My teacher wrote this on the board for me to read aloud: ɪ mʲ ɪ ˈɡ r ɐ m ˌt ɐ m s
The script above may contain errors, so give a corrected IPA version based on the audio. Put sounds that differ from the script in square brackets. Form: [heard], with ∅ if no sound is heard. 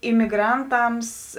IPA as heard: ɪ mʲ ɪ ˈɡ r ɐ [n] ˌt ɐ m s